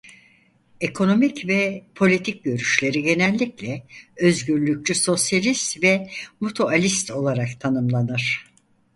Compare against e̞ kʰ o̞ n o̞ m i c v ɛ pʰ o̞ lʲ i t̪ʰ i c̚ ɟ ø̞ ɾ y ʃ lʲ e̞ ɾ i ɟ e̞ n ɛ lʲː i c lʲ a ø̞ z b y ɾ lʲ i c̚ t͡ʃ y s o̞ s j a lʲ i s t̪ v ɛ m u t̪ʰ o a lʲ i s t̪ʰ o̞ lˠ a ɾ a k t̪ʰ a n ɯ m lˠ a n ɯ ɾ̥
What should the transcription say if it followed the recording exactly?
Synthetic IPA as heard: e̞ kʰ o̞ n o̞ m i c v ɛ pʰ o̞ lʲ i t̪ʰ i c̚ ɟ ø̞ ɾ y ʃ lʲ e̞ ɾ i ɟ e̞ n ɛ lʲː i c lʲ ɛ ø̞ z ɟ y ɾ lʲ y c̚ t͡ʃ y s o̞ s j a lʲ i s t̪ v ɛ m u t̪ʰ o a lʲ i s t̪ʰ o̞ lˠ a ɾ a k t̪ʰ a n ɯ m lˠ a n ɯ ɾ̥